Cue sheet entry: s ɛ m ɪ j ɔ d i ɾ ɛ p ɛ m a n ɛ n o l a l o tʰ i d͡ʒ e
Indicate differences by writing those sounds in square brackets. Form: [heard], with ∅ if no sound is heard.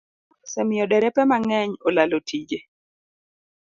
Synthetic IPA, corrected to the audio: s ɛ m ɪ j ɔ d [ɛ] ɾ ɛ p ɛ m a [ŋ] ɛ [ɲ] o l a l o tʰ i d͡ʒ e